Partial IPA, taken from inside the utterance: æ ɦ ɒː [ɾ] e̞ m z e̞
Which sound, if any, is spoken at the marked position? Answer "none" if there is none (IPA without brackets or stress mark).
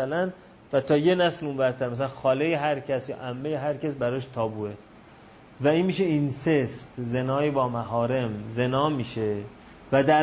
ɾ